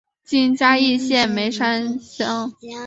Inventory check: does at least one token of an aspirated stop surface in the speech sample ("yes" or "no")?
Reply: no